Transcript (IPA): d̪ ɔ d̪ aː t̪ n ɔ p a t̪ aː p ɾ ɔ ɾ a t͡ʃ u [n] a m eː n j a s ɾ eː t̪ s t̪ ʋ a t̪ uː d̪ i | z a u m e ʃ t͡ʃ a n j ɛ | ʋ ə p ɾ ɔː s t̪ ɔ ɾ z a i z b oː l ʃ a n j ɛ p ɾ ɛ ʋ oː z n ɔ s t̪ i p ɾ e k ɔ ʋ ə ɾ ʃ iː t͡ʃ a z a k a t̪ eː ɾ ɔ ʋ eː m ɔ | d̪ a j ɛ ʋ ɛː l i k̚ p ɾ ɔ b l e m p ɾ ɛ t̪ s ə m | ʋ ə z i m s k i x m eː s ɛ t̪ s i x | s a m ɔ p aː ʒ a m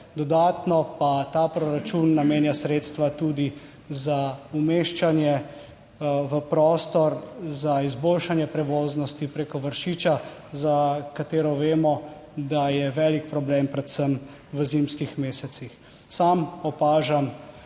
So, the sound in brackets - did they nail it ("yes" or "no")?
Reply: no